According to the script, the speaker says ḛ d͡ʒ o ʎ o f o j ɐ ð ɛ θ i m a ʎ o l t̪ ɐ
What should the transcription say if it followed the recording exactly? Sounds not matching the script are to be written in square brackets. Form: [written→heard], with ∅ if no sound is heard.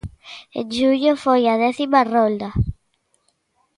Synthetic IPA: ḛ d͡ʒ [o→u] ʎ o f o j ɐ ð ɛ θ i m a [ʎ→r] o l [t̪→d̪] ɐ

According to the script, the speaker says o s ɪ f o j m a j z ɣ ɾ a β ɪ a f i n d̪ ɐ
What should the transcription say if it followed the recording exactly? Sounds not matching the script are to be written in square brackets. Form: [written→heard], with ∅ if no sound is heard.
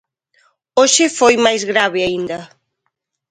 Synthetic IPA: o [s→ʃ] ɪ f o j m a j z ɣ ɾ a β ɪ a [f→∅] i n d̪ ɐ

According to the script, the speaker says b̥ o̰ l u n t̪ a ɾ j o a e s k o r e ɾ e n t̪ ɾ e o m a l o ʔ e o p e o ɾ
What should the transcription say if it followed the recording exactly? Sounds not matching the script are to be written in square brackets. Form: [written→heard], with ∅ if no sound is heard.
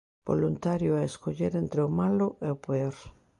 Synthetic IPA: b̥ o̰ l u n t̪ a ɾ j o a e s k o [r→ʎ] e ɾ e n t̪ ɾ e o m a l o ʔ e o p e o ɾ

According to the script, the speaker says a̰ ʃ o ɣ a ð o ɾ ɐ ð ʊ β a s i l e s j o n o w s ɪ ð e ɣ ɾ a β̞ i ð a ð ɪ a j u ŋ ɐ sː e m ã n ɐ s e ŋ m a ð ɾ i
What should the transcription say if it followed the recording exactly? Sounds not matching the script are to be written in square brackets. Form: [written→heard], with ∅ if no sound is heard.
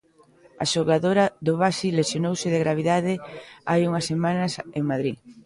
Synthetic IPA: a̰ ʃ o ɣ a ð o ɾ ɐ ð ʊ β a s i l e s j o n o w s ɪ ð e ɣ ɾ a β̞ i ð a ð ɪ a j u ŋ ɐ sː e m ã n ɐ s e ŋ m a ð ɾ i

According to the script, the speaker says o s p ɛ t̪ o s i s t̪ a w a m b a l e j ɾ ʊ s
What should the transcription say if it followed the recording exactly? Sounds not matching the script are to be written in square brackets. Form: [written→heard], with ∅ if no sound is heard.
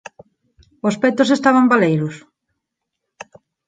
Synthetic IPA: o s p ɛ t̪ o s [i→e] s t̪ a [w→β] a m b a l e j ɾ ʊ s

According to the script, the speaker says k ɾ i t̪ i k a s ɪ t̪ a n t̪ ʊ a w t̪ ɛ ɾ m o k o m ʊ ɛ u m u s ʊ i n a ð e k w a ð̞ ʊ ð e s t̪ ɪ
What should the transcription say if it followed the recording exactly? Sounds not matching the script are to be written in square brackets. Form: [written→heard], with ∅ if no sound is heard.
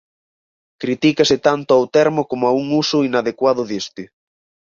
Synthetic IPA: k ɾ i t̪ i k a s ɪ t̪ a n t̪ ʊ a w t̪ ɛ ɾ m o k o m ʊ [ɛ→a] u [m→ŋ] u s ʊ i n a ð e k w a ð̞ ʊ ð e s t̪ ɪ

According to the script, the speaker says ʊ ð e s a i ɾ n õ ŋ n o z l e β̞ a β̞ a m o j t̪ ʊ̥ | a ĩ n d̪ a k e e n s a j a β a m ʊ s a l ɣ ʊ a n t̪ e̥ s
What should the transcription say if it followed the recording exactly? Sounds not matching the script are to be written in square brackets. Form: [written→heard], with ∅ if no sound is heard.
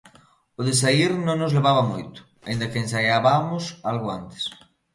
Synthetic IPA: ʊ ð e s a i ɾ n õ ŋ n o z l e β̞ a β̞ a m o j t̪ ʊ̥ | a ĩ n d̪ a k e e n s a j a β a m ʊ s a l ɣ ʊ a n t̪ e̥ s

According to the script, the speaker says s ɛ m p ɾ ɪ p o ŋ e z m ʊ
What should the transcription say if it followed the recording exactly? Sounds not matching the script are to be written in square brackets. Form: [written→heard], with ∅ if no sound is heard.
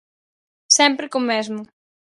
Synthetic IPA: s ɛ m p ɾ ɪ [p→k] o [ŋ→m] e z m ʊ

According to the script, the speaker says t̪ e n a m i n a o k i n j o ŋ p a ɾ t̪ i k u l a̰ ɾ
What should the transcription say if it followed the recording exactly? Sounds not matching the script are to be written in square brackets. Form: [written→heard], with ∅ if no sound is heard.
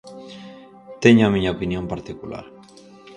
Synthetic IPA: t̪ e [n→ɲ] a m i [n→ɲ] a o [k→p] i n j o [ŋ→m] p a ɾ t̪ i k u l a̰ ɾ

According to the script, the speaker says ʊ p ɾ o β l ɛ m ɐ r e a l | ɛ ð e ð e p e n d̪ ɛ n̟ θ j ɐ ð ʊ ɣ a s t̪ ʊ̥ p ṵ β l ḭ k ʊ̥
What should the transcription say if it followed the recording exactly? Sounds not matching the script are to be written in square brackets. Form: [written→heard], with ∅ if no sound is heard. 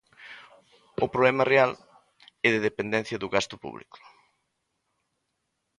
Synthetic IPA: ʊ p ɾ o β l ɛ m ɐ r e a l | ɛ ð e ð e p e n d̪ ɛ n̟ θ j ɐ ð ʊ ɣ a s t̪ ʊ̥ p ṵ β l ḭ k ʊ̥

